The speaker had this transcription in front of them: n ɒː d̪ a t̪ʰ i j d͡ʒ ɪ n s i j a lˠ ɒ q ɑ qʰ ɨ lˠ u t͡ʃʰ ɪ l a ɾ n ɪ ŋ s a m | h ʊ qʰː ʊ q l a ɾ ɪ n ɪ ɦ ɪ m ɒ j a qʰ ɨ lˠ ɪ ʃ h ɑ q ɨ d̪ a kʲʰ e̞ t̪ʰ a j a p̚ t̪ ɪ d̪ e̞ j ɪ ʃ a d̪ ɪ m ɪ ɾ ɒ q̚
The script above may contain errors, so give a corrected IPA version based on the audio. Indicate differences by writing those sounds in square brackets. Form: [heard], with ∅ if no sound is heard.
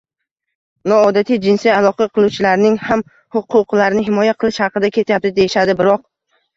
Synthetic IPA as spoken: n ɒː d̪ a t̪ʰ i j d͡ʒ ɪ n s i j a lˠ ɒ q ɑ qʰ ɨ lˠ u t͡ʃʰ ɪ l a ɾ n ɪ ŋ [h] a m | h ʊ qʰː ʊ q l a ɾ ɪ n ɪ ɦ ɪ m ɒ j a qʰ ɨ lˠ ɪ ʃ h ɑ q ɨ d̪ a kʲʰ e̞ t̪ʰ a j a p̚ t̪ ɪ d̪ e̞ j ɪ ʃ a d̪ ɪ [b] ɪ ɾ ɒ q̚